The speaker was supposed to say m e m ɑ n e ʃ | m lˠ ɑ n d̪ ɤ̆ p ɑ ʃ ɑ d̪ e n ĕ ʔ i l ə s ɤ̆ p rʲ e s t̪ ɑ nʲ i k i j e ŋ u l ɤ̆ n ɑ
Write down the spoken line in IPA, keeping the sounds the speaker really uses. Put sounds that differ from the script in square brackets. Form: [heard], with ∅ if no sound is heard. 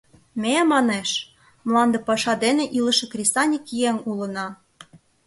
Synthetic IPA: m e m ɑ n e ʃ | m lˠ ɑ n d̪ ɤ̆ p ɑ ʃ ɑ d̪ e n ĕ ʔ i l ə [ʃ] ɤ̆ [k] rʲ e s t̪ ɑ nʲ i k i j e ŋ u l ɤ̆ n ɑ